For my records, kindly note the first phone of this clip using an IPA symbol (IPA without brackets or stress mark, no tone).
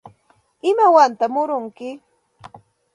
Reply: ɪ